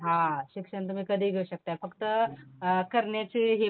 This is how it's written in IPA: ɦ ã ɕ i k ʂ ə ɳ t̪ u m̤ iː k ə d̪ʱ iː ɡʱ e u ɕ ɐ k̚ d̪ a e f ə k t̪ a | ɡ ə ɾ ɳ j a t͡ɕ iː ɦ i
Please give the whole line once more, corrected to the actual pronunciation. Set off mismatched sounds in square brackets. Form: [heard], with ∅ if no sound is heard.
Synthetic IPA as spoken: ɦ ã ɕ i k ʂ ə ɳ t̪ u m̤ iː k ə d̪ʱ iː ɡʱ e u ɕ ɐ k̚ [t̪] a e f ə k t̪ [ə] | [k] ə ɾ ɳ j a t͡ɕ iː ɦ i